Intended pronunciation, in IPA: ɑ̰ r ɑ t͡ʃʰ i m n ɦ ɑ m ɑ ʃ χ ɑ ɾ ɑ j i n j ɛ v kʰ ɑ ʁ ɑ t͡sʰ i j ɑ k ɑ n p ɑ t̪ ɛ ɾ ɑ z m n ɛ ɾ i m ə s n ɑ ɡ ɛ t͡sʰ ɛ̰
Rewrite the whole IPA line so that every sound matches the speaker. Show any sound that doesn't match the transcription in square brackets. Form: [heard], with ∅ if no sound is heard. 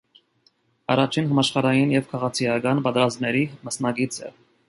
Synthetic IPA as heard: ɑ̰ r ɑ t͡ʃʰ i [∅] n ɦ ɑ m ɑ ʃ χ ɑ ɾ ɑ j i n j ɛ v kʰ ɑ ʁ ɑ t͡sʰ i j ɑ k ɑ n p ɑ t̪ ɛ ɾ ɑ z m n ɛ ɾ i m ə s n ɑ ɡ [i] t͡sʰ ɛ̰